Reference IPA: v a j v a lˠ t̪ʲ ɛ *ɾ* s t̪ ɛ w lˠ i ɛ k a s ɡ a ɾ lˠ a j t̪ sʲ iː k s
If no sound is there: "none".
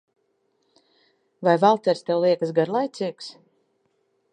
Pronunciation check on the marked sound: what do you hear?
ɾ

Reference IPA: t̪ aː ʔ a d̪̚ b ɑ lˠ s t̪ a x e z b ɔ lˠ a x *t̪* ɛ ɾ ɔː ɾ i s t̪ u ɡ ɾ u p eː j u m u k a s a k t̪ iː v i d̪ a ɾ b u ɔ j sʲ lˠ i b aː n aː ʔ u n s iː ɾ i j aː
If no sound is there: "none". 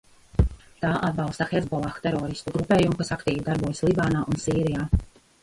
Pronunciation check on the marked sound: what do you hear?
t̪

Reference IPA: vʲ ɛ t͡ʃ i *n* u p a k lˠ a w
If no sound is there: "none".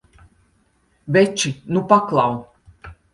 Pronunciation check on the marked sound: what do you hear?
n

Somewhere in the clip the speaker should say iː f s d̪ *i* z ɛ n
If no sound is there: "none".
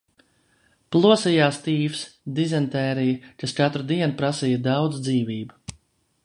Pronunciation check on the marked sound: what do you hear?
i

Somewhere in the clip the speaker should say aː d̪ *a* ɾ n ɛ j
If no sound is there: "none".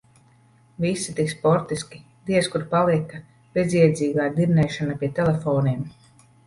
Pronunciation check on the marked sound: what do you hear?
i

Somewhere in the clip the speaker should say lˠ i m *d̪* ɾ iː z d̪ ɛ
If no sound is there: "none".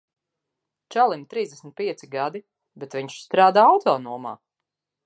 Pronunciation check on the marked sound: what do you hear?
t̪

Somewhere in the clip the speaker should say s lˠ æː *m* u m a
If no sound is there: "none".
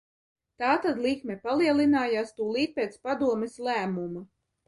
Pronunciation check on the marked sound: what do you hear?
m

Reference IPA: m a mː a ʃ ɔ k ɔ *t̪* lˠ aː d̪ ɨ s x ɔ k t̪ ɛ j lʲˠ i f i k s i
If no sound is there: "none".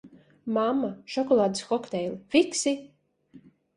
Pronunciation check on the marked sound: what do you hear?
none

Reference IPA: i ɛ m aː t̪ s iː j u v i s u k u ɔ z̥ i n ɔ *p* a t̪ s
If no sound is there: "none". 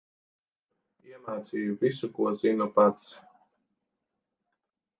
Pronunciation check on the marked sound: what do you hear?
p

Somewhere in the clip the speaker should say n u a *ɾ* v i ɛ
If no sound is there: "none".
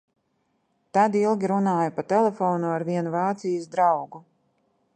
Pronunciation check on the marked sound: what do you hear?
ɾ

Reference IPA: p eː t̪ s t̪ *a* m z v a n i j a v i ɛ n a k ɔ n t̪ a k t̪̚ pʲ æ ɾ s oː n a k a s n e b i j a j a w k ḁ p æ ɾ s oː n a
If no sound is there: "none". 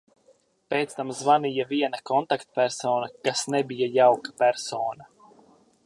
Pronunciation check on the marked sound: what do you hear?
a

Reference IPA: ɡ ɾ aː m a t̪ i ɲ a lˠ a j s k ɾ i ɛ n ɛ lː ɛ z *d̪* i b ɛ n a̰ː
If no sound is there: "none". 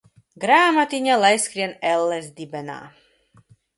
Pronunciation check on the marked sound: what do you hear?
d̪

